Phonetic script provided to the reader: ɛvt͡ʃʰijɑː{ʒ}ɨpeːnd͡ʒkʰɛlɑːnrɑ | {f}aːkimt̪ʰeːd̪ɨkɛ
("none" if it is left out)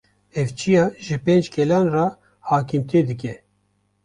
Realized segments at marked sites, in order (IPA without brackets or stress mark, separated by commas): ʒ, h